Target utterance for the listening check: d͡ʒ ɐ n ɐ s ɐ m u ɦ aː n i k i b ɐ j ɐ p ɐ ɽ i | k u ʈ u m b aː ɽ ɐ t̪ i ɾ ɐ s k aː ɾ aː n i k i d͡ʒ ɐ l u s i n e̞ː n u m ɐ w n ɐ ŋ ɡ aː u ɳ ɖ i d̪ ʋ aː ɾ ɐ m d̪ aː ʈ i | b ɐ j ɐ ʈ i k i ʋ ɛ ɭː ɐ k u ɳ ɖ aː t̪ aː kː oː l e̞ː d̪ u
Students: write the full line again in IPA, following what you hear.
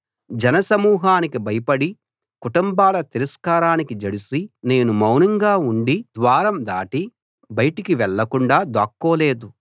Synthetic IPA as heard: d͡ʒ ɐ n ɐ s ɐ m uː ɦ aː n i k i b ɐ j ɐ p ɐ ɽ i | k u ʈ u m b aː l ɐ t̪ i ɾ ɐ s k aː ɾ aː n i k i d͡ʒ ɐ ɽ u s i n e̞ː n u m ɐ w n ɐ ŋ ɡ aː u ɳ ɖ i d̪ ʋ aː ɾ ɐ m d̪ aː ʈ i | b ɐ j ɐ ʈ i k i ʋ ɛ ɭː ɐ k u ɳ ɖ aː d̪ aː kː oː l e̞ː d̪ u